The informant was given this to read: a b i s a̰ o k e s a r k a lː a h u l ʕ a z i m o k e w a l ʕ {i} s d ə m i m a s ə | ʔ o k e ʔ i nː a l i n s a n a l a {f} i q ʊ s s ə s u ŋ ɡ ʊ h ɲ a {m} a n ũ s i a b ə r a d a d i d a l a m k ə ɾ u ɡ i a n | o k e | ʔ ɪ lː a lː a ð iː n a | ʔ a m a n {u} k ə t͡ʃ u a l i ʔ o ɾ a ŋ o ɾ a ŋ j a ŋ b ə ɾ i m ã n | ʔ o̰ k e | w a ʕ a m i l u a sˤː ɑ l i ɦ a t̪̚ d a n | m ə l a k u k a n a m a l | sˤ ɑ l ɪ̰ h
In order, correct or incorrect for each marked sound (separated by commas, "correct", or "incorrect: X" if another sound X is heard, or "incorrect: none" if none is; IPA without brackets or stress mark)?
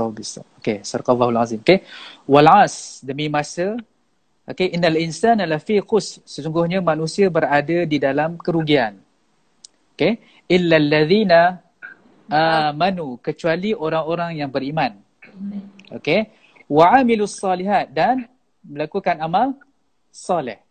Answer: incorrect: a, correct, correct, correct